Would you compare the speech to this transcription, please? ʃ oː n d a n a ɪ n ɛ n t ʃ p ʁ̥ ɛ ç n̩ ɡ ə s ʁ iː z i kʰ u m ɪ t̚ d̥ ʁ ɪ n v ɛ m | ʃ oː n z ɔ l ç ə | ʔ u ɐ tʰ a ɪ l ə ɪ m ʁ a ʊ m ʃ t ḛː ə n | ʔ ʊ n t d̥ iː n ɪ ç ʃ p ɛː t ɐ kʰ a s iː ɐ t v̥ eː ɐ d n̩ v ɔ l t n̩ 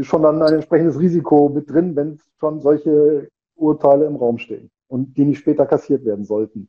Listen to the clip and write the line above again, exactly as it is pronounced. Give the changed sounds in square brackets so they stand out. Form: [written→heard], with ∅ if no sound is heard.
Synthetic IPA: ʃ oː n d a n a ɪ n ɛ n t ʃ p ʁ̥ ɛ ç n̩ [ɡ→d] ə s ʁ iː z i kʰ [u→o] m ɪ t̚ d̥ ʁ ɪ n v ɛ [m→n] | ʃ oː n z ɔ l ç ə | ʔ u ɐ tʰ a ɪ l ə ɪ m ʁ a ʊ m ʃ t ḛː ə n | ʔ ʊ n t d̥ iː n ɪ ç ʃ p ɛː t ɐ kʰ a s iː ɐ t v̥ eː ɐ d n̩ [v→z] ɔ l t n̩